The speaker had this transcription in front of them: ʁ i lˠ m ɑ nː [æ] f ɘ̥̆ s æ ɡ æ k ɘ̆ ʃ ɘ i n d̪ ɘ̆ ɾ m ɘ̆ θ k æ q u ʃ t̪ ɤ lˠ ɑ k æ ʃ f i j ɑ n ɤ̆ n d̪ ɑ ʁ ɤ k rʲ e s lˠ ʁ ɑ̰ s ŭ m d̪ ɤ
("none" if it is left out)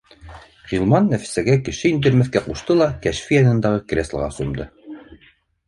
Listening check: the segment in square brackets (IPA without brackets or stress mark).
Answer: æ